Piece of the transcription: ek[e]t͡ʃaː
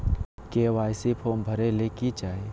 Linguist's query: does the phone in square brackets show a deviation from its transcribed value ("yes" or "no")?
yes